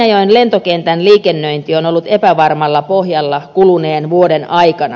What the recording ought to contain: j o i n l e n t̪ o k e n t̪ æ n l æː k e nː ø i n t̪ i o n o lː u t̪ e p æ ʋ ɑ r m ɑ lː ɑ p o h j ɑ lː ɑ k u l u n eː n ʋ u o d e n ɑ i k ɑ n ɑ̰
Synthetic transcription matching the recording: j o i n l e n t̪ o k e n t̪ æ n l iː k e nː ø i n t̪ i o n o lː u t̪ e p æ ʋ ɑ r m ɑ lː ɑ p o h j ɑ lː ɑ k u l u n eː n ʋ u o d e n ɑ i k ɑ n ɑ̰